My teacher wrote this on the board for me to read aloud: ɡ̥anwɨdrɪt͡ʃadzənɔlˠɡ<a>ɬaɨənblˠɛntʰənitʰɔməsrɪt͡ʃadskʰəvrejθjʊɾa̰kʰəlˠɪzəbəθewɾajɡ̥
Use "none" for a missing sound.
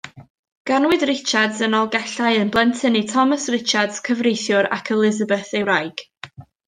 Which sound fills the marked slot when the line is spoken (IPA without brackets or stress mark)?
ɛ